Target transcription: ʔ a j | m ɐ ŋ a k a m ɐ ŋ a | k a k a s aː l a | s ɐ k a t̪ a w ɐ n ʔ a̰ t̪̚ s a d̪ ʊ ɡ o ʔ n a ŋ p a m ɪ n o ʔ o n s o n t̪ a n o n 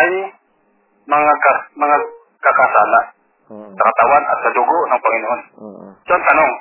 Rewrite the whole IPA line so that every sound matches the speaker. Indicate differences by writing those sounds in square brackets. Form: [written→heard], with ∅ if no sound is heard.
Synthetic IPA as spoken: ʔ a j | m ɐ ŋ a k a m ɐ ŋ a | k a k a s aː l a | s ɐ k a t̪ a w [ɐ→a] n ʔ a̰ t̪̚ s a d̪ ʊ ɡ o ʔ n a ŋ p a [m→ŋ] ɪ n o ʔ o n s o n t̪ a n o [n→ŋ]